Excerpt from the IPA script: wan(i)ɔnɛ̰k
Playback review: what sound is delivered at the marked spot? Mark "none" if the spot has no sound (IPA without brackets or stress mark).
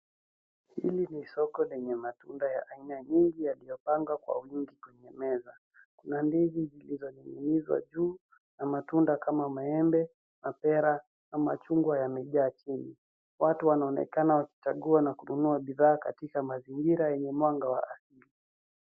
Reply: a